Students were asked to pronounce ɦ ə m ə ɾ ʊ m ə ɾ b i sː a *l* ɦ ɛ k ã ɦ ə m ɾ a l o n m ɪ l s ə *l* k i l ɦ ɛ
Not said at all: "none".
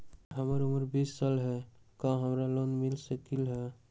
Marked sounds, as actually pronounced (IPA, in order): l, none

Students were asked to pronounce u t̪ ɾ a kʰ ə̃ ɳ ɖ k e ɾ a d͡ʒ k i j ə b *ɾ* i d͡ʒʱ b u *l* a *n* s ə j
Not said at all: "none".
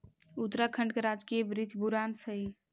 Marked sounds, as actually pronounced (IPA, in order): ɾ, ɾ, n

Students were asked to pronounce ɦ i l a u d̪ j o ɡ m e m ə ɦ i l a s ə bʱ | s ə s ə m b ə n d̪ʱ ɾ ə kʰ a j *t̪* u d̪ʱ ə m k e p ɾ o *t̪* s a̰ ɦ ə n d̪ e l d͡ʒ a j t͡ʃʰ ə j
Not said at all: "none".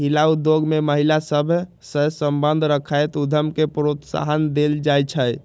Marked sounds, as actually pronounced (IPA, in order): t̪, t̪

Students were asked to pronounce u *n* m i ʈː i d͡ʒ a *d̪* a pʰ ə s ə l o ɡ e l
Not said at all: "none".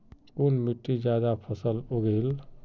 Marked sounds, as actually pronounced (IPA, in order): n, d̪

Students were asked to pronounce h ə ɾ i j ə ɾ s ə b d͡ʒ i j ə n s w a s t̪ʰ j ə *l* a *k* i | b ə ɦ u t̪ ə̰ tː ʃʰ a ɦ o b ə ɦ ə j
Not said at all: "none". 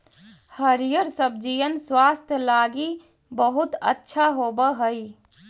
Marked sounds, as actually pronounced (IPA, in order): l, ɡ

